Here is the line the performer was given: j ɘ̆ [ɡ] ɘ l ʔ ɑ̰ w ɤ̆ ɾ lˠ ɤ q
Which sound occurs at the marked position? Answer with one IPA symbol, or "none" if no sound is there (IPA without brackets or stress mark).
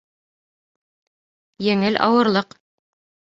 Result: ŋ